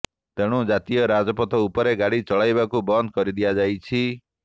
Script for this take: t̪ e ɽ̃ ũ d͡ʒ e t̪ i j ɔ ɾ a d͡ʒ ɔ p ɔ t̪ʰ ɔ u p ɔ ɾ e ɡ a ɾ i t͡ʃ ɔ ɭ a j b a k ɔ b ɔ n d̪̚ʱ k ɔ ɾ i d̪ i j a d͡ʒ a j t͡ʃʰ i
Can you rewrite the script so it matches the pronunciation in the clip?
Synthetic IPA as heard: t̪ e ɽ̃ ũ d͡ʒ a t̪ i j ɔ ɾ a d͡ʒ ɔ p ɔ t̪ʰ ɔ u p ɔ ɾ e ɡ a ɽ i t͡ʃ ɔ ɭ a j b a k u b ɔ n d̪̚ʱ k ɔ ɾ i d̪ i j a d͡ʒ a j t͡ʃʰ i